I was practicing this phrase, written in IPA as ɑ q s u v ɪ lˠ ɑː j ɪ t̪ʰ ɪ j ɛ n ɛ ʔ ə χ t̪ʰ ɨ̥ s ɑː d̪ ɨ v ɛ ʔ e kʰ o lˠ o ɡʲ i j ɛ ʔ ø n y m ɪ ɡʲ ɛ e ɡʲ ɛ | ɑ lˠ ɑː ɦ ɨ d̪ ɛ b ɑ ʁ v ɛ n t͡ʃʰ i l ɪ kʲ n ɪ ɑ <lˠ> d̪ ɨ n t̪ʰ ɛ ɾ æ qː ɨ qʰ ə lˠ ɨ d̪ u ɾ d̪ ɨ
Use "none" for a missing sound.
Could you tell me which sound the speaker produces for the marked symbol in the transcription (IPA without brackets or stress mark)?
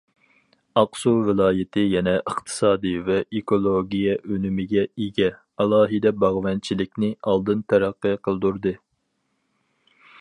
lˠ